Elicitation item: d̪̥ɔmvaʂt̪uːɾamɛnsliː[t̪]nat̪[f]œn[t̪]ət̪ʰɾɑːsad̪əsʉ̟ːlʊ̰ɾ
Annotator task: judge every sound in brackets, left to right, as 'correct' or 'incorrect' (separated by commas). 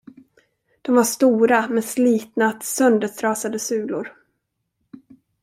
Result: correct, incorrect, incorrect